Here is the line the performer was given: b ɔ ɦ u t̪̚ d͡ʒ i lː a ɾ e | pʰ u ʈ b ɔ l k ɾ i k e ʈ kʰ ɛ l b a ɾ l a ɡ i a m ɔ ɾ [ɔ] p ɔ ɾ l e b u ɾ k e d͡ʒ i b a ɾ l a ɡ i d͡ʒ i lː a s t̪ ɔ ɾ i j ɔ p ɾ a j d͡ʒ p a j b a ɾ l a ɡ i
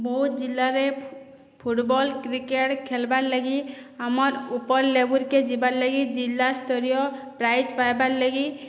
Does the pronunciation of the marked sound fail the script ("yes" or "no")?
yes